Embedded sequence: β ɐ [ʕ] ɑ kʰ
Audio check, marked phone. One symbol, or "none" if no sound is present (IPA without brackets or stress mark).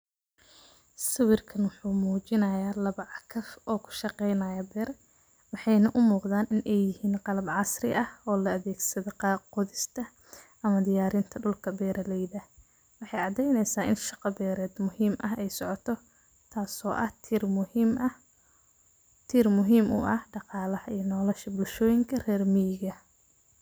ʕ